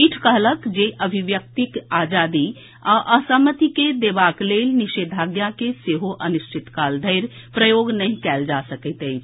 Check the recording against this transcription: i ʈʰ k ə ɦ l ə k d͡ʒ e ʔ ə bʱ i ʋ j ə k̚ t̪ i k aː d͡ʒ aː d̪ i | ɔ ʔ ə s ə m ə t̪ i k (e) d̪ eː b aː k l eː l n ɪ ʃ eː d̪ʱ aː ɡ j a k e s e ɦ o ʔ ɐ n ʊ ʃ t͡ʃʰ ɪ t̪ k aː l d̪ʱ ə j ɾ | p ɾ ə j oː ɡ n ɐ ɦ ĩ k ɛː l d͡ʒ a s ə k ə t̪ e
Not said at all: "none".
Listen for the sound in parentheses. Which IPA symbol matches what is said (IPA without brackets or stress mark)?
e